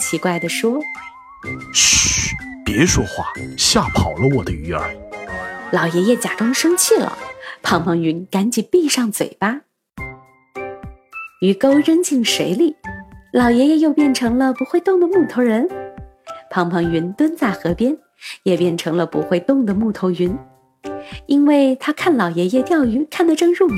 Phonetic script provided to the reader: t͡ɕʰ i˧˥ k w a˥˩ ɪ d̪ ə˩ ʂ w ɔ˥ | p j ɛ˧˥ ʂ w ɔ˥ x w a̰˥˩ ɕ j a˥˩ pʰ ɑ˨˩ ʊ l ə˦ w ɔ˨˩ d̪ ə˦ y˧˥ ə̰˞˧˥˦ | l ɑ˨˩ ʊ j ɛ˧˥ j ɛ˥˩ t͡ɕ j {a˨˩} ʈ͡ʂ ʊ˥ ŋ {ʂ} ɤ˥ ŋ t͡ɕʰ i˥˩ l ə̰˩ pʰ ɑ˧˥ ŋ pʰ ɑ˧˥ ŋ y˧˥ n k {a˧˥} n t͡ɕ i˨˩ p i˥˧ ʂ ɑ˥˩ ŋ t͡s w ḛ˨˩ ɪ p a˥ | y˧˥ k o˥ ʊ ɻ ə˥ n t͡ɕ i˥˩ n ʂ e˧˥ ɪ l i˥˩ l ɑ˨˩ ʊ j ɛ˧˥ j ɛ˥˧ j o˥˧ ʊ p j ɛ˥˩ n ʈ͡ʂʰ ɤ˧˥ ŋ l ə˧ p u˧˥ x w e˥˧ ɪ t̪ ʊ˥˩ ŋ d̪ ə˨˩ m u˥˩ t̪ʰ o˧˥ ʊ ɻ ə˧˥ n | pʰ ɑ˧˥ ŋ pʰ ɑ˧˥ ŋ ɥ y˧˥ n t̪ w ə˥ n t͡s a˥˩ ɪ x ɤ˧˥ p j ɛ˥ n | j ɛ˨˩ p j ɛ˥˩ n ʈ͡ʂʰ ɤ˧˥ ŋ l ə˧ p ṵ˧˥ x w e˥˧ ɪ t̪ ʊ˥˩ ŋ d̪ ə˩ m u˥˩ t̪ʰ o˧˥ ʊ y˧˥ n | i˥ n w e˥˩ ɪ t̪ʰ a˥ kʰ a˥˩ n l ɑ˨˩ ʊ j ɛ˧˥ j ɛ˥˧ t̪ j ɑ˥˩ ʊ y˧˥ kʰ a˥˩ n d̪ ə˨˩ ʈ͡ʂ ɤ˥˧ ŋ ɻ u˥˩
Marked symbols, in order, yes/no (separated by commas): yes, yes, yes